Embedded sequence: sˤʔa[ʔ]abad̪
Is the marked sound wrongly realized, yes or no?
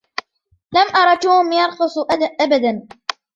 no